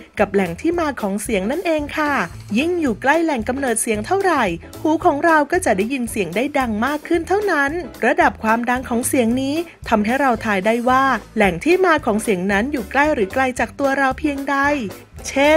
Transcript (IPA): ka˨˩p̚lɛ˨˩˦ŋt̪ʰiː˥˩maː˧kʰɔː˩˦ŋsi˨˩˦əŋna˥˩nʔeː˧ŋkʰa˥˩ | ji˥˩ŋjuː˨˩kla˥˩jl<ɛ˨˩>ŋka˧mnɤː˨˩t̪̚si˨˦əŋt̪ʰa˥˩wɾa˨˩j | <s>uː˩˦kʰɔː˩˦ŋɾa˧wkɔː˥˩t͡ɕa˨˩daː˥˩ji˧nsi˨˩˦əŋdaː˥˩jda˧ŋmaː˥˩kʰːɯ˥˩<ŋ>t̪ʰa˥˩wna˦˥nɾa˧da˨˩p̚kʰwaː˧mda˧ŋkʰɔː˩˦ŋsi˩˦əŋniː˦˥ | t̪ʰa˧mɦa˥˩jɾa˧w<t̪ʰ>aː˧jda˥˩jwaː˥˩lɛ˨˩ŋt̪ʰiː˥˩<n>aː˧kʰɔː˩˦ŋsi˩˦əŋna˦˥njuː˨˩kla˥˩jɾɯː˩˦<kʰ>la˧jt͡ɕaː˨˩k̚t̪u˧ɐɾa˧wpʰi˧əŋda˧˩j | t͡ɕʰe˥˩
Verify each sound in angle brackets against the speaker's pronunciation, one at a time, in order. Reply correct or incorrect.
correct, incorrect: h, incorrect: n, correct, incorrect: m, incorrect: k

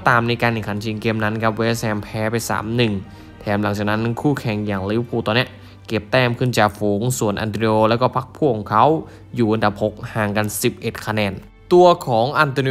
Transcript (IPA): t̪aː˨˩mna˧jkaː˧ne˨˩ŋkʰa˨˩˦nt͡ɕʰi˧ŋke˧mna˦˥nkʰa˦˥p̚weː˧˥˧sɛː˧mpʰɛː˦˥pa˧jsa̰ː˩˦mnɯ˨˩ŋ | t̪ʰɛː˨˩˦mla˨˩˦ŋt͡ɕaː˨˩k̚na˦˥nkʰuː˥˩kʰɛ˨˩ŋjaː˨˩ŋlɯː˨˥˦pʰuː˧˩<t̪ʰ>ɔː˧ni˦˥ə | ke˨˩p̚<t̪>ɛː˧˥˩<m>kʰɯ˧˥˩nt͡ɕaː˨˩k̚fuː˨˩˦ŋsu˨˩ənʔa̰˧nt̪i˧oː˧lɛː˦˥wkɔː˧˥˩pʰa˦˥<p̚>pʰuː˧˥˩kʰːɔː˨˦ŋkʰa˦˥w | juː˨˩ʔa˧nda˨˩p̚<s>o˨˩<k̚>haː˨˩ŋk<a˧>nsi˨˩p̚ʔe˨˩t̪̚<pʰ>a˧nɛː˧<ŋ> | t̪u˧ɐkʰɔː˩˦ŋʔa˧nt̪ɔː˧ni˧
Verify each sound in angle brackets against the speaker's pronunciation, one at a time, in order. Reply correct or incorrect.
incorrect: t̪, correct, correct, incorrect: k̚, incorrect: h, correct, correct, incorrect: kʰ, incorrect: n

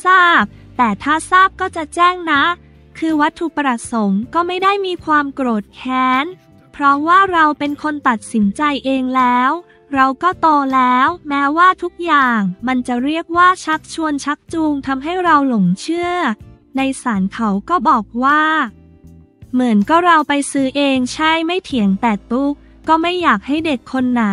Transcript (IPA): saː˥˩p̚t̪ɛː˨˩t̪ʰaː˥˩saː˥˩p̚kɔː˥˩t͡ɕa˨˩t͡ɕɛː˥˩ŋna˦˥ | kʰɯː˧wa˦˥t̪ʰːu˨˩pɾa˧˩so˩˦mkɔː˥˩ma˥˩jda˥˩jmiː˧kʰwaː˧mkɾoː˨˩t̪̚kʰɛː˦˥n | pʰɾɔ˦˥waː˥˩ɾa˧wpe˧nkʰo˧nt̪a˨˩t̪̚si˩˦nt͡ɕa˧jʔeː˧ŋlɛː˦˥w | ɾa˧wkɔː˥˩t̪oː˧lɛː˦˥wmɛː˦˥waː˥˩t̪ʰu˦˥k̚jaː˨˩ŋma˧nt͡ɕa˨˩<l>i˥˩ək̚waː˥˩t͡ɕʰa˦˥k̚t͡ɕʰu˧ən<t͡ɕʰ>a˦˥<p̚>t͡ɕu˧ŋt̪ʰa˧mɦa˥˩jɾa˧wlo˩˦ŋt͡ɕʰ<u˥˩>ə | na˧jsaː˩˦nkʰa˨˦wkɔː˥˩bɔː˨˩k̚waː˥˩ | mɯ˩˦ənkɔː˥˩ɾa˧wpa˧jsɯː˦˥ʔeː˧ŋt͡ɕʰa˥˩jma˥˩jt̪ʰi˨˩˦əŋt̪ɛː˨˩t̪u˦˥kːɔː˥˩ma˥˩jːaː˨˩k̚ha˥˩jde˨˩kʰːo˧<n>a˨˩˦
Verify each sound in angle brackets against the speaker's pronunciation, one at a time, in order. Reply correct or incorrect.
incorrect: ɾ, correct, incorrect: k̚, incorrect: ɯ˥˩, incorrect: nː

